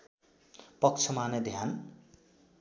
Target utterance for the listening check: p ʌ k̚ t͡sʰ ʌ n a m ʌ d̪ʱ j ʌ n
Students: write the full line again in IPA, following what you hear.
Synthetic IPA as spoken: p ʌ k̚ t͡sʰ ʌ m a n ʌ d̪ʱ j a n